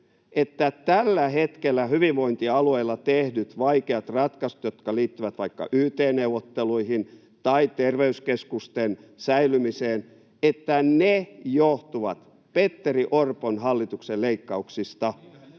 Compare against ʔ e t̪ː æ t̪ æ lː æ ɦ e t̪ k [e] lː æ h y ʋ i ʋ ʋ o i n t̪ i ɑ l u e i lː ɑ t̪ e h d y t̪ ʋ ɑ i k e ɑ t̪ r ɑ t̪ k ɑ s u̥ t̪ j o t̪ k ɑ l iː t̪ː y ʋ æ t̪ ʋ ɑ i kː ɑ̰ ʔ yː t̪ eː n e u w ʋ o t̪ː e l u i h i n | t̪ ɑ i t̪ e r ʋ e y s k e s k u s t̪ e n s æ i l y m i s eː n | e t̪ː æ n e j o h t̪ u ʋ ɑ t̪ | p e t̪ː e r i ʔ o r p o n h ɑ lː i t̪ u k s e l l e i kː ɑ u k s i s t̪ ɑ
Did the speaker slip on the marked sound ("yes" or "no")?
no